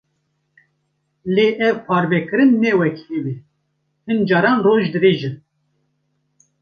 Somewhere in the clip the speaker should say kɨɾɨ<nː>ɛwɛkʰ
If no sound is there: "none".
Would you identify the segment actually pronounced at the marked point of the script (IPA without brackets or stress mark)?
nː